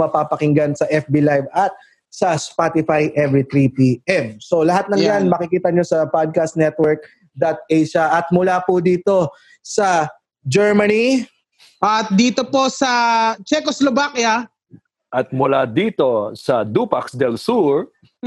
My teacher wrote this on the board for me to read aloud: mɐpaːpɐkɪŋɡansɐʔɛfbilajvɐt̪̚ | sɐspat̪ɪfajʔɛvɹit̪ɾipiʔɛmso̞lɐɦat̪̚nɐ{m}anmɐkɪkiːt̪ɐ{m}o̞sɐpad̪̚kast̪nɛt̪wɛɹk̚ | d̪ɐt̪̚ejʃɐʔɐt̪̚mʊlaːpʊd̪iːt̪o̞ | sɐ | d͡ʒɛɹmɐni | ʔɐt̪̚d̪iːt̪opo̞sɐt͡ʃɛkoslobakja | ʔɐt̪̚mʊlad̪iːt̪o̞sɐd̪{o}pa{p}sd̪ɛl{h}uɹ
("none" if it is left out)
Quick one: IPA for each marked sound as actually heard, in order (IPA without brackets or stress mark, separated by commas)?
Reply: ŋ, ɲ, u, k, s